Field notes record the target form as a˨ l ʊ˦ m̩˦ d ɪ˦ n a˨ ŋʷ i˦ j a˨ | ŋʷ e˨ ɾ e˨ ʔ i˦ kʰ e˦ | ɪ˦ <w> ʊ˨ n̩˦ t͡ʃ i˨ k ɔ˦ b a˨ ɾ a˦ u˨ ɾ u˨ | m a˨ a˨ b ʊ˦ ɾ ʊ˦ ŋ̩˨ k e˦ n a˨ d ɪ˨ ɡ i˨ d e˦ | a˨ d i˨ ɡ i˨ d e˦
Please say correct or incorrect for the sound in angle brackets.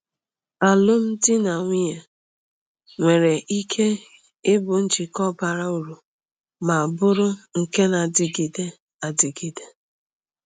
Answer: incorrect: b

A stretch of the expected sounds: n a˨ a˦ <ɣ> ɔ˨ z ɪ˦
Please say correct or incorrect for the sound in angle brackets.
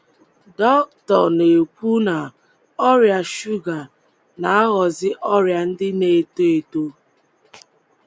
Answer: correct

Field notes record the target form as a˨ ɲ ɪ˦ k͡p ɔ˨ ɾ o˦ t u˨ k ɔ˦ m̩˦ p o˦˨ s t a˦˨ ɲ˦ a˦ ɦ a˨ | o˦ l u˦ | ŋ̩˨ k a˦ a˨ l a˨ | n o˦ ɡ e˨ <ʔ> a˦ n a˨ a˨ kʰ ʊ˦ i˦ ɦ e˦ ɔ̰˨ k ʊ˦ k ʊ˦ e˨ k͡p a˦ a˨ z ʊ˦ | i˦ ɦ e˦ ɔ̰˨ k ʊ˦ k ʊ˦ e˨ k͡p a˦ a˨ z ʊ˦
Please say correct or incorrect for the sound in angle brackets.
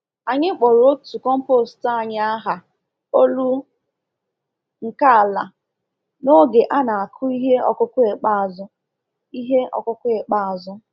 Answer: correct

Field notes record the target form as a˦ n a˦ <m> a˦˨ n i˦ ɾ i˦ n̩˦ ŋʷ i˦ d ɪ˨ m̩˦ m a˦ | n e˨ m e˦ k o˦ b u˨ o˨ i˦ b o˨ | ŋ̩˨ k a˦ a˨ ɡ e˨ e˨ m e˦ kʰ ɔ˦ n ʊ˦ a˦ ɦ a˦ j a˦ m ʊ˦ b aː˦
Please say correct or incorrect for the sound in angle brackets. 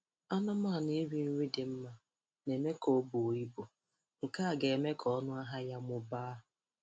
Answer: correct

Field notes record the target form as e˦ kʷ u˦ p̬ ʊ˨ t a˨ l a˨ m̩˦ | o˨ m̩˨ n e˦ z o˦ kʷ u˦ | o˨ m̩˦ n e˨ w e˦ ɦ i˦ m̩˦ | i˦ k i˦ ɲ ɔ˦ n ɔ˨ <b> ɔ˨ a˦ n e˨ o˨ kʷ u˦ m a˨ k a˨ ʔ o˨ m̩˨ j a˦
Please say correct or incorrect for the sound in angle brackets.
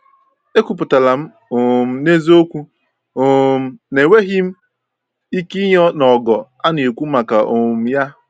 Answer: incorrect: ɡ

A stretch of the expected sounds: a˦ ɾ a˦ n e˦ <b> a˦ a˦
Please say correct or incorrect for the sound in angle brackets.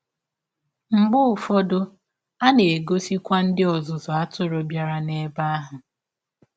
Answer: correct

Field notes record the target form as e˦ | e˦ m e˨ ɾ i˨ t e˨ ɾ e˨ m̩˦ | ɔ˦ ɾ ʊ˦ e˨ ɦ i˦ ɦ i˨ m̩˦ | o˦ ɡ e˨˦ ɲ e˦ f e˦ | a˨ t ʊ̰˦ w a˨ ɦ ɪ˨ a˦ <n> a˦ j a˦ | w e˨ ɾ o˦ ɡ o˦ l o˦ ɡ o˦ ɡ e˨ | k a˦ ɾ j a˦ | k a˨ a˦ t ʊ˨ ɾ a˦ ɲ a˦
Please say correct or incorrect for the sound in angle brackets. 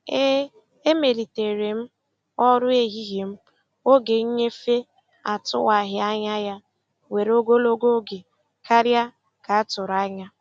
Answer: incorrect: ɲ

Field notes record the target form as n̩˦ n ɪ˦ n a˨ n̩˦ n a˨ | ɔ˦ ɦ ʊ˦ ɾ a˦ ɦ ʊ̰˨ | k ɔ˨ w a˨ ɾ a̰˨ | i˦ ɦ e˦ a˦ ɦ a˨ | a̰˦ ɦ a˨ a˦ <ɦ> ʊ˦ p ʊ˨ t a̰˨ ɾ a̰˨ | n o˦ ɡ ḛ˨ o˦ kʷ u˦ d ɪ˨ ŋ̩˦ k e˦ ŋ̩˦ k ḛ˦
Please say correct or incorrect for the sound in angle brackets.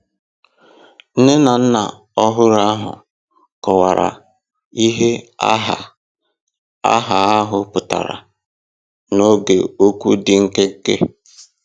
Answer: correct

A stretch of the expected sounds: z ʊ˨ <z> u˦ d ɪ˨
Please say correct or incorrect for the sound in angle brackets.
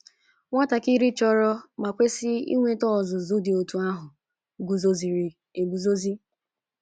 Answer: correct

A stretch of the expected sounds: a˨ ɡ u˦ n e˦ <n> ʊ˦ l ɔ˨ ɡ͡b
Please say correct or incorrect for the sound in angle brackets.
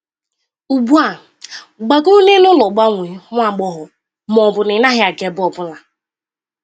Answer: correct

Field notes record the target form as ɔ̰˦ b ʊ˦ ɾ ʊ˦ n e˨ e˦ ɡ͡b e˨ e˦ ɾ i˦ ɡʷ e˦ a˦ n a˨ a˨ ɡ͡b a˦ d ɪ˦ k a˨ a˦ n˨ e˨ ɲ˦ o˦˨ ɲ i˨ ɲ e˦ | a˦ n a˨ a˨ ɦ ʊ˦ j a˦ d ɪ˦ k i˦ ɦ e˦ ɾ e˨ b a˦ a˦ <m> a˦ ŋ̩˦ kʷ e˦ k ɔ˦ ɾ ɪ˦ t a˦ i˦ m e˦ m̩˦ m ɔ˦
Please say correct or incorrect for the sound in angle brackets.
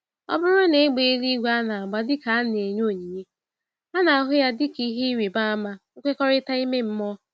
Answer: correct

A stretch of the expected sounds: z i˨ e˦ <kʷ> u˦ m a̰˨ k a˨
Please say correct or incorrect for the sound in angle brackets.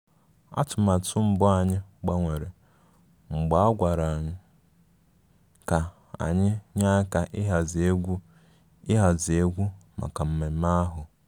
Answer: incorrect: ɡʷ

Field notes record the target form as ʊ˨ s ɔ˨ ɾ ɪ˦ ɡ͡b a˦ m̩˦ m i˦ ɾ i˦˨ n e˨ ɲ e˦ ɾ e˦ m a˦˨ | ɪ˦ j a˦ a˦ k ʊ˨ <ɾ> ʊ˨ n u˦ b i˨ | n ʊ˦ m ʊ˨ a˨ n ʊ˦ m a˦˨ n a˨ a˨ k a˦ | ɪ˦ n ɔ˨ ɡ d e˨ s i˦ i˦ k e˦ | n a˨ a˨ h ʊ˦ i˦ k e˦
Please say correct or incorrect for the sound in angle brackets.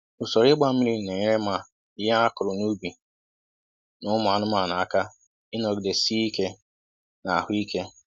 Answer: correct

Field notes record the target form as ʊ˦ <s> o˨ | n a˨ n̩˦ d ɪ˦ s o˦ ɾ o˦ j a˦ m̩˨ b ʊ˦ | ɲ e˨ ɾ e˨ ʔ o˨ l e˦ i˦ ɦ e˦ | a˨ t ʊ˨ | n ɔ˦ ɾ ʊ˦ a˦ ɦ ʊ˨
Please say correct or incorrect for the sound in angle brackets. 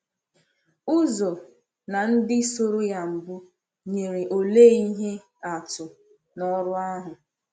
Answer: incorrect: z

